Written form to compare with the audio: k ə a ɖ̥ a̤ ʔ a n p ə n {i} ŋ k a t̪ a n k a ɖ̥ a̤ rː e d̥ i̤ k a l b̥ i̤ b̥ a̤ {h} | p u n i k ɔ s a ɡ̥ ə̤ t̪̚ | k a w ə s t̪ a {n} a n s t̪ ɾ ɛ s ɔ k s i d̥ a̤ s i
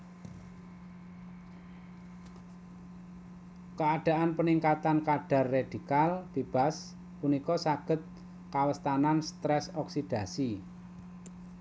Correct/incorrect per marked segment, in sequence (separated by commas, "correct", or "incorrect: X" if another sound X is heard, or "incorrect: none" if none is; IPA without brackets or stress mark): correct, incorrect: s, correct